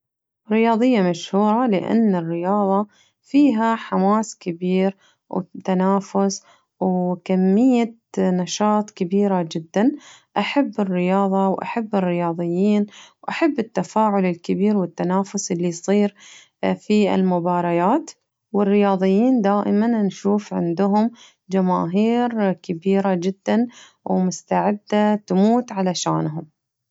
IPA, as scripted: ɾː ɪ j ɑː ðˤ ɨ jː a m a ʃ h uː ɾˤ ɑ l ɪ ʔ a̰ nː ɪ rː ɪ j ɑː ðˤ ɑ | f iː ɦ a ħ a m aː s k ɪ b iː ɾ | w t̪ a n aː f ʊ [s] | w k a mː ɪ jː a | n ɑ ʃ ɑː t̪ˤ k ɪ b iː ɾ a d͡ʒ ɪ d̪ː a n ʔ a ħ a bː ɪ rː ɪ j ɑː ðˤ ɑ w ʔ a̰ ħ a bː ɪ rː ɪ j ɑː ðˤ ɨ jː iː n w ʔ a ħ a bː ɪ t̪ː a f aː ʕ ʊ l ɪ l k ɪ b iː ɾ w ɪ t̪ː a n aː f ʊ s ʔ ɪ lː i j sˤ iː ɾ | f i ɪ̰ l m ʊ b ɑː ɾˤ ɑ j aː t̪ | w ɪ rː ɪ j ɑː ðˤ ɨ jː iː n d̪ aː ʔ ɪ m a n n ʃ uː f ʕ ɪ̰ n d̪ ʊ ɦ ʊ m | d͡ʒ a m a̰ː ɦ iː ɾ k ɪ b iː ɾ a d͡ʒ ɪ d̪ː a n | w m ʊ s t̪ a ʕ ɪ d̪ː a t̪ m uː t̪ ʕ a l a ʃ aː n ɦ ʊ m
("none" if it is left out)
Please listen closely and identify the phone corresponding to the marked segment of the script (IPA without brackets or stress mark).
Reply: s